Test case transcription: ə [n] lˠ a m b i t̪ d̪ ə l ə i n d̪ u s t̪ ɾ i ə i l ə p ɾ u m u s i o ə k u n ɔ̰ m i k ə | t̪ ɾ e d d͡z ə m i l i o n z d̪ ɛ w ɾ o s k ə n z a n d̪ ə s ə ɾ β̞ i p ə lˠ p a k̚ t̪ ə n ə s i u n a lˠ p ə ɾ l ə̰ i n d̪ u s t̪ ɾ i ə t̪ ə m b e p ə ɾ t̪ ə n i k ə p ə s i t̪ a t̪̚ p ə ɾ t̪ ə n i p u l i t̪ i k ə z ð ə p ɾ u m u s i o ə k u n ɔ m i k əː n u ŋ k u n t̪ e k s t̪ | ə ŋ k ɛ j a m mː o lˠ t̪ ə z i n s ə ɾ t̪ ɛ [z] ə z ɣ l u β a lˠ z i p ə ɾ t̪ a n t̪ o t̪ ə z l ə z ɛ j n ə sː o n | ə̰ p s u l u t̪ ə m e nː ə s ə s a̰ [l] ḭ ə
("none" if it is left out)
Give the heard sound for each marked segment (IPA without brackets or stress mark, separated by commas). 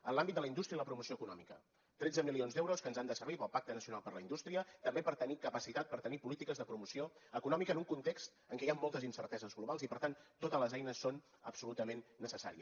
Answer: n, z, ɾ